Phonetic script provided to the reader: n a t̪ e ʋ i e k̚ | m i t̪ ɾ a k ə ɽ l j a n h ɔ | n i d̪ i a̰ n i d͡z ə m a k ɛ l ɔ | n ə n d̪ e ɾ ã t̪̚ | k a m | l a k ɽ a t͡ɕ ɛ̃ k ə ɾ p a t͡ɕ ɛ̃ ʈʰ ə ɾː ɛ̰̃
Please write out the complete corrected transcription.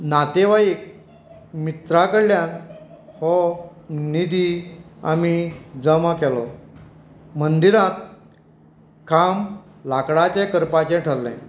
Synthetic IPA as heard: n a t̪ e ʋ a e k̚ | m i t̪ ɾ a k ə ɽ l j a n h ɔ | n i d̪ i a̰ m i d͡z ə m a k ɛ l ɔ | m ə n d̪ i ɾ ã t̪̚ | k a m | l a k ɽ a t͡ɕ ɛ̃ k ə ɾ p a t͡ɕ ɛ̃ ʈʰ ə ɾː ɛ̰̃